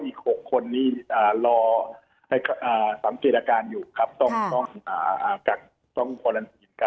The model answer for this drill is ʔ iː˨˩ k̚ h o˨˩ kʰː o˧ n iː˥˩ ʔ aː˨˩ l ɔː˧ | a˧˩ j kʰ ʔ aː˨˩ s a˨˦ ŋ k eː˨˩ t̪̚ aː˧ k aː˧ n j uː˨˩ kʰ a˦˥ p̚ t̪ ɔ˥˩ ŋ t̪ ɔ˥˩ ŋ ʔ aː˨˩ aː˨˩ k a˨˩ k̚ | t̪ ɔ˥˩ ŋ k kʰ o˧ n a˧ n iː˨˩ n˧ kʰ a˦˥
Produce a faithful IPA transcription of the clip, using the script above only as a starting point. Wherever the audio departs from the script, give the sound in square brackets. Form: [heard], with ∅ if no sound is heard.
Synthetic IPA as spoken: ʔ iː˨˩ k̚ h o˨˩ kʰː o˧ [nː] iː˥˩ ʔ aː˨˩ l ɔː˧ | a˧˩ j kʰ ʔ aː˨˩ s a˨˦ ŋ k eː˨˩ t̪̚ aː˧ k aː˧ n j uː˨˩ kʰ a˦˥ p̚ t̪ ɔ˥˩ ŋ t̪ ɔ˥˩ ŋ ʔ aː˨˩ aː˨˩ k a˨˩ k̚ | t̪ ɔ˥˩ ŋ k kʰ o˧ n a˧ n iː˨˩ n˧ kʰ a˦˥